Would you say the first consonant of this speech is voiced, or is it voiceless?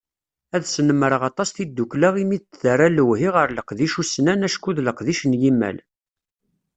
voiced